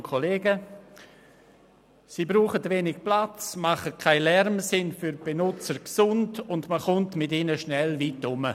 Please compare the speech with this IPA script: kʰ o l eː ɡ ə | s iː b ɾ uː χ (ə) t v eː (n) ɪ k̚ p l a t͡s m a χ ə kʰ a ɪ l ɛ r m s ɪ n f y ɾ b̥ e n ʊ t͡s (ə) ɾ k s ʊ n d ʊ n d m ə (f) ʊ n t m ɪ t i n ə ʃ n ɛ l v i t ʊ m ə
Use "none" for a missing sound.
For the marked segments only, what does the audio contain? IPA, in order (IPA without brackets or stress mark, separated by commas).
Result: ə, n, ə, χ